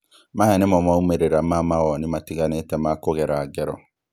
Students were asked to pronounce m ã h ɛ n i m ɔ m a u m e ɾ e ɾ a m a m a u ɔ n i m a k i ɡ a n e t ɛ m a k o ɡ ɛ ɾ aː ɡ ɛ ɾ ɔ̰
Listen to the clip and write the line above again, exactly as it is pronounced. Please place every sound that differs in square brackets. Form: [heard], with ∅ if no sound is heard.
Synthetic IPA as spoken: m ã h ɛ n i m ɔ m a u m e ɾ e ɾ a m a m a [w] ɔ n i m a [t] i ɡ a n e t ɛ m a k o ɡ ɛ ɾ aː ɡ ɛ ɾ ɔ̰